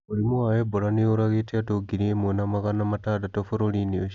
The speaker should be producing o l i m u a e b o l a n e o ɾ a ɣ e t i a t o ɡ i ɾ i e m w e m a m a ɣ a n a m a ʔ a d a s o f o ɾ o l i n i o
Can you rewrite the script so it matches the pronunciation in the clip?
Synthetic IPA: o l i m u a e b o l a n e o ɾ a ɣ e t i a t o ɡ i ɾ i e m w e n a m a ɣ a n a m a t a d a t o f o ɾ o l i n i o